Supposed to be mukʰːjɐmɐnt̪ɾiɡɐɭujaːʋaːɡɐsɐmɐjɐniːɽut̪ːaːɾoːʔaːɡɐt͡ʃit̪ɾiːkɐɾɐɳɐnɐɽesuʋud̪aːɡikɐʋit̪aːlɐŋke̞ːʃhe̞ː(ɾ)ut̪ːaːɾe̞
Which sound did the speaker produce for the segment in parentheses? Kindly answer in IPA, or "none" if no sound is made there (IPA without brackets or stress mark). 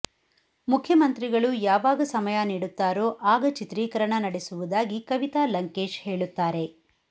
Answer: ɭ